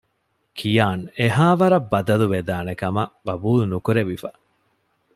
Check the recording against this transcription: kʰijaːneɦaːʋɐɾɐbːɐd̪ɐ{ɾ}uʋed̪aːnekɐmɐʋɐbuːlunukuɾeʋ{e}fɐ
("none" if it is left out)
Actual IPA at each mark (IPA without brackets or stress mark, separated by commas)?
l, i